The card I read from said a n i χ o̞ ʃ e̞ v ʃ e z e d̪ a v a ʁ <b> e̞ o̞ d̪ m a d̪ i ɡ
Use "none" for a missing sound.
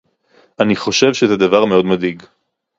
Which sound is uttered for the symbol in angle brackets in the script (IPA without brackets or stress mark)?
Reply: m